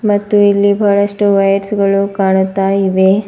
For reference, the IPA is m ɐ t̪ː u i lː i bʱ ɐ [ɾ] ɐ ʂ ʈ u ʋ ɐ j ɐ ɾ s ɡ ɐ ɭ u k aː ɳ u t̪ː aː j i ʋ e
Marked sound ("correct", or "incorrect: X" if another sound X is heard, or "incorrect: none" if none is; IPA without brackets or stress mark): incorrect: ɭ